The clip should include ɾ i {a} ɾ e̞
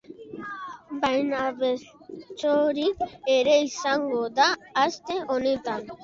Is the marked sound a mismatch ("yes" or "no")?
yes